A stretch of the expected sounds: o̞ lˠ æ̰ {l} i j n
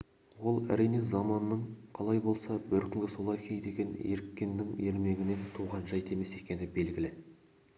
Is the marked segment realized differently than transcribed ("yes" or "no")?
yes